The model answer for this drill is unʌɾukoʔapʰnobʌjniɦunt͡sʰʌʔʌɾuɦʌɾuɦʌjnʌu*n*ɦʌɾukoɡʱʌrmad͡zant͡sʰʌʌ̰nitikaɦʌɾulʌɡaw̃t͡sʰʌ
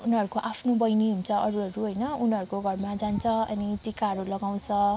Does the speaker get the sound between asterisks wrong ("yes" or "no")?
no